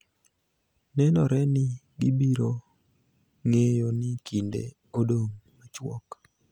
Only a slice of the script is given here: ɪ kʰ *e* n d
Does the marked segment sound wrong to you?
yes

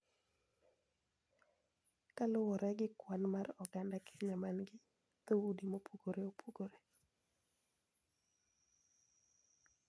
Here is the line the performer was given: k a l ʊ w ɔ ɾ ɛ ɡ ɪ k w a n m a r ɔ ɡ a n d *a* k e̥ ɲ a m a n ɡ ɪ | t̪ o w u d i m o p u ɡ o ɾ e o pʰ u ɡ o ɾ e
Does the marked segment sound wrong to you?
no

